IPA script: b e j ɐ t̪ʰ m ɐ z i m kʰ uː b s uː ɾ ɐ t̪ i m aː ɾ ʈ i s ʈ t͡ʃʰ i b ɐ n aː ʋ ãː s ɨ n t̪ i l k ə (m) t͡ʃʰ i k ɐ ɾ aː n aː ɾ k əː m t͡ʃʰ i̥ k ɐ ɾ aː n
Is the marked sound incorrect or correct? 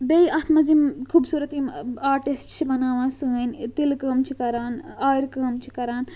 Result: correct